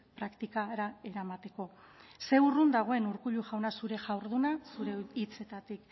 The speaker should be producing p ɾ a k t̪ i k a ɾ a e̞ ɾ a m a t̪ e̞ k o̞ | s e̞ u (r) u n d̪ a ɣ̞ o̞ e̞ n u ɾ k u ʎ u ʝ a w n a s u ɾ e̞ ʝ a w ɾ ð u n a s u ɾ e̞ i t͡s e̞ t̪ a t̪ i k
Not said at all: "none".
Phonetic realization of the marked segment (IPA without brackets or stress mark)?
r